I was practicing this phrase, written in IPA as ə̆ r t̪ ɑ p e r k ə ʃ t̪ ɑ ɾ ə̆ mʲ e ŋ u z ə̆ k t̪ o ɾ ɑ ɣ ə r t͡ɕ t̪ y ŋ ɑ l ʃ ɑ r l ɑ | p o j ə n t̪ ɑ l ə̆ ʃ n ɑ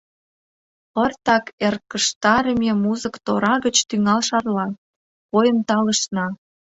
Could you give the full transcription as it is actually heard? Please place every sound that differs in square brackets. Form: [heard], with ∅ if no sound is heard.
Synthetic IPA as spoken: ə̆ r t̪ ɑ [k] e r k ə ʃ t̪ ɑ ɾ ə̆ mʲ e [m] u z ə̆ k t̪ o ɾ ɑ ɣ ə [∅] t͡ɕ t̪ y ŋ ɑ l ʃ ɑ r l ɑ | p o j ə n t̪ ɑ l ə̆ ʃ n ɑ